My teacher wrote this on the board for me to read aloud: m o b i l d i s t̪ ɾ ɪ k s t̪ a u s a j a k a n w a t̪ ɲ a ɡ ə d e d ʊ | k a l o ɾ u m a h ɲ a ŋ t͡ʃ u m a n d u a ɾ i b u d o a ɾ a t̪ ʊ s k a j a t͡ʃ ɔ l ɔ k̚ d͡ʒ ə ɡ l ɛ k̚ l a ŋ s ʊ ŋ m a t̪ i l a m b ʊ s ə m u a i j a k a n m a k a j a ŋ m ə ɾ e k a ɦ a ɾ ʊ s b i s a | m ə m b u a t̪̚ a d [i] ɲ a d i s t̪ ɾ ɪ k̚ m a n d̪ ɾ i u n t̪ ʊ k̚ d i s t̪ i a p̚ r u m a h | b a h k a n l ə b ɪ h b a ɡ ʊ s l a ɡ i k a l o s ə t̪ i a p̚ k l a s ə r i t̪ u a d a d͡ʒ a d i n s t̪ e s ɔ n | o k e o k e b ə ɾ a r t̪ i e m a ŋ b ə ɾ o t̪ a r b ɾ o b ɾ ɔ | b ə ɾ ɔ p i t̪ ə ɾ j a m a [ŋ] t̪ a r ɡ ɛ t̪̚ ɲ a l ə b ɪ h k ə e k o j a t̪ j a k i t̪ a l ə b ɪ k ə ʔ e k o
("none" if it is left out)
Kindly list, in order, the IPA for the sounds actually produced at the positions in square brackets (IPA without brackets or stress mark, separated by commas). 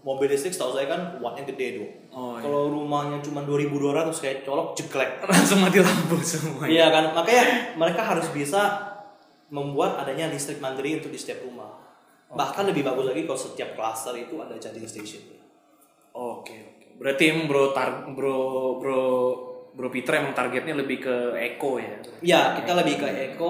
a, ŋ